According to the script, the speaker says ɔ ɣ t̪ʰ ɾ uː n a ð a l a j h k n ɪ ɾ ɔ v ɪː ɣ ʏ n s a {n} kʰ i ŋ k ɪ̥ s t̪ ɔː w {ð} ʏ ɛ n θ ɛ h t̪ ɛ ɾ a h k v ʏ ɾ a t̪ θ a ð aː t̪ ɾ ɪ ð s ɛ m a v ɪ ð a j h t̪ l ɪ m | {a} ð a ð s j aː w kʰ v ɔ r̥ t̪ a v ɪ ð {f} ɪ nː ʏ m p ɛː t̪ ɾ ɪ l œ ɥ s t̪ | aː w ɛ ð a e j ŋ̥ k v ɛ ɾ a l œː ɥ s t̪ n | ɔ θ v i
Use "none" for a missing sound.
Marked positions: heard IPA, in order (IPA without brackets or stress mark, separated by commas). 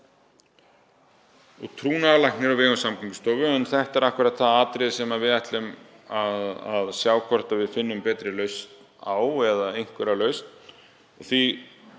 m, v, a, f